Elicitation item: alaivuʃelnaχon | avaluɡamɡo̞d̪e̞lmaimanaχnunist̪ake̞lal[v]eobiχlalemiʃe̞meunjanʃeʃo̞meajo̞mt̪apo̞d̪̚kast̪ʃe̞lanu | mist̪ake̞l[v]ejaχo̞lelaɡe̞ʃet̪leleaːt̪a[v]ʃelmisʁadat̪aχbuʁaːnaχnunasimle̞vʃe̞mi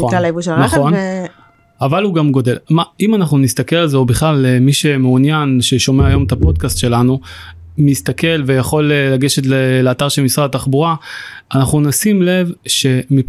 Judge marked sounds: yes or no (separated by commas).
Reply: no, yes, no